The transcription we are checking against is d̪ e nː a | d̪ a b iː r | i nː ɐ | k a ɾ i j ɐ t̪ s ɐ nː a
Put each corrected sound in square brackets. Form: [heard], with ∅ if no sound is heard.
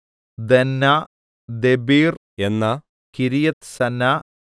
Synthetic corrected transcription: d̪ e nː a | d̪ [e] b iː r | [e] nː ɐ | k [i] ɾ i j ɐ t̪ s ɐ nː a